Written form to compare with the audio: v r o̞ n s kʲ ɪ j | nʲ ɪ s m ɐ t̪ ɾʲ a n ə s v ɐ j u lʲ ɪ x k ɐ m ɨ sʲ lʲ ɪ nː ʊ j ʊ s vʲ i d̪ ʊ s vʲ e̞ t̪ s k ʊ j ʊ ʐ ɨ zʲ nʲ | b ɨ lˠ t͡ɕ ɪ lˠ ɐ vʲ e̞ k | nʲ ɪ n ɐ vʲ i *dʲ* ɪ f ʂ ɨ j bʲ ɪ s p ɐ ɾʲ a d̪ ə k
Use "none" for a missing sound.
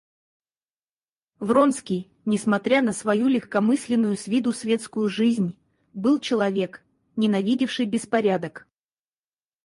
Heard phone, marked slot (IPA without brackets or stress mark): dʲ